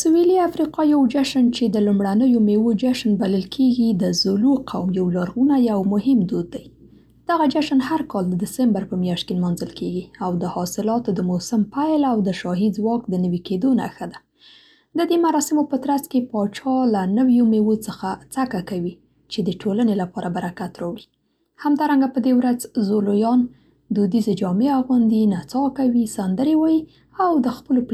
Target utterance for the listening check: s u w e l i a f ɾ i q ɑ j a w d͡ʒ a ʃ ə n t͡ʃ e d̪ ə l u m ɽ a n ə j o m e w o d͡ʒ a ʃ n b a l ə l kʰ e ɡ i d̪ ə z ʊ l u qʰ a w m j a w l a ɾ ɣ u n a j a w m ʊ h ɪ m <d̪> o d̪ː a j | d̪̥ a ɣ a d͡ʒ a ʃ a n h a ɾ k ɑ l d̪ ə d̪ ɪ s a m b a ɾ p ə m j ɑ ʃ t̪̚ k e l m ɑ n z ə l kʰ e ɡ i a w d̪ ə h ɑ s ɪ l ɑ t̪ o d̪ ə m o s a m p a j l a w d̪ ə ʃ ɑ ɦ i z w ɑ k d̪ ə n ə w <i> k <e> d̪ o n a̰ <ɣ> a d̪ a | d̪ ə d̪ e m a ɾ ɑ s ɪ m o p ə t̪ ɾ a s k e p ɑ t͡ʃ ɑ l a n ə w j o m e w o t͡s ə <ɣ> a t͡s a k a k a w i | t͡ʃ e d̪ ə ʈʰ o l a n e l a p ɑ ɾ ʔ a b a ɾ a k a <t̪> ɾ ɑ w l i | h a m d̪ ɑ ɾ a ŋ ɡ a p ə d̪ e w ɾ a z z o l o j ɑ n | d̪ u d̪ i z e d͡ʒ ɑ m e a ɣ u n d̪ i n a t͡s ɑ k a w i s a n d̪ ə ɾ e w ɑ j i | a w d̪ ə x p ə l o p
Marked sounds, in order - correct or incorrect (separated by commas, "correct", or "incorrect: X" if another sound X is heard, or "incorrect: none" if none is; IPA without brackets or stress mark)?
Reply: correct, correct, correct, incorrect: x, incorrect: x, correct